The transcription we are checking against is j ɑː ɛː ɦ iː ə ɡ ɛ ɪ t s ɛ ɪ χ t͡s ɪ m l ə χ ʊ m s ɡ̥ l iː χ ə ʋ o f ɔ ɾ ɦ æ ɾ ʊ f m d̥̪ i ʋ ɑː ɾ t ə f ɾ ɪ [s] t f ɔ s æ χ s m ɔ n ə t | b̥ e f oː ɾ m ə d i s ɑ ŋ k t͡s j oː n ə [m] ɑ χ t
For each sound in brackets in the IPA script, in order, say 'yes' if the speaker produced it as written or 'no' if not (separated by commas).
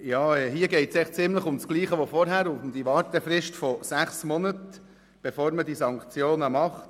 no, yes